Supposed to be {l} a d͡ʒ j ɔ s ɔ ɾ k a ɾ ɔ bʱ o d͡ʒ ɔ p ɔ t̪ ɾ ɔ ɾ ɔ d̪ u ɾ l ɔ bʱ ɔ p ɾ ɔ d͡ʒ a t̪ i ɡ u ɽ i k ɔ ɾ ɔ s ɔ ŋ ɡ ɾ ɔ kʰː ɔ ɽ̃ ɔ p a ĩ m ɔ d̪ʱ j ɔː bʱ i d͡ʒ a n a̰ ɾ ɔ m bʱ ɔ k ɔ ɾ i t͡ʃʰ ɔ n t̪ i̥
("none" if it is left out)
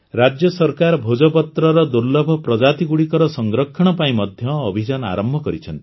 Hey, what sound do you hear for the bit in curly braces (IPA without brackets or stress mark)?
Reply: ɾ